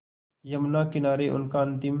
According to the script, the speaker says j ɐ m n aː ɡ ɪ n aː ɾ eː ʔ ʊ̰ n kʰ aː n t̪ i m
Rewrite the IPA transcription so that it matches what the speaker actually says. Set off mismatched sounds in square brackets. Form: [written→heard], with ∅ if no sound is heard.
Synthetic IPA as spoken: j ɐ m n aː [ɡ→k] ɪ n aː ɾ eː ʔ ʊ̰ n [kʰ→k] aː n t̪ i m